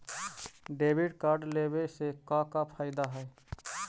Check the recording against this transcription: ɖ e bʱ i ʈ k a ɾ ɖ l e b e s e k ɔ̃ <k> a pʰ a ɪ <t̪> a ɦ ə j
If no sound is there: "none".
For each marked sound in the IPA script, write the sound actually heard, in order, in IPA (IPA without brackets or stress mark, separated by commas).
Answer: k, d̪